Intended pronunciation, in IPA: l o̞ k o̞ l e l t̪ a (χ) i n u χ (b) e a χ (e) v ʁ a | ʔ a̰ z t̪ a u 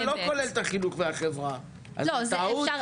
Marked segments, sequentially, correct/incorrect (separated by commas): correct, incorrect, correct